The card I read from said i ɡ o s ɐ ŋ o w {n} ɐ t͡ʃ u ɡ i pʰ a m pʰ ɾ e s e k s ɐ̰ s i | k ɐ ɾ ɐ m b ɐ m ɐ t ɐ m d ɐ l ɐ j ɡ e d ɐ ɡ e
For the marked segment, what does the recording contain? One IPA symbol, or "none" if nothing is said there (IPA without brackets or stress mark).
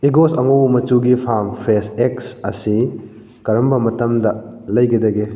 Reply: m